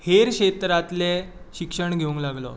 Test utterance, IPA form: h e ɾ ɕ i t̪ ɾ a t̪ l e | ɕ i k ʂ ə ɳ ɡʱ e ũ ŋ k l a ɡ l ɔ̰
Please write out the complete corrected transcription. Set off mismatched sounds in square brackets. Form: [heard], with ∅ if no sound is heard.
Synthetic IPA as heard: h e ɾ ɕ [e] t̪ ɾ a t̪ l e | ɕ i k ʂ ə ɳ ɡʱ e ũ ŋ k l a ɡ l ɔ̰